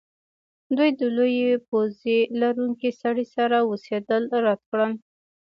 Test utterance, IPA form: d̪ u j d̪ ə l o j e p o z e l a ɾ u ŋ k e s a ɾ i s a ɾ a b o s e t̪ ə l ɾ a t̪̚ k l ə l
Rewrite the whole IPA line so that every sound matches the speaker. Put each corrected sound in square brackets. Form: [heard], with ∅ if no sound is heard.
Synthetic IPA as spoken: d̪ u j d̪ ə l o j e p o z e l a ɾ u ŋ k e s a [ɽ] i s a ɾ a [w] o s e [d̪] ə l ɾ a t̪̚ k [ɽ] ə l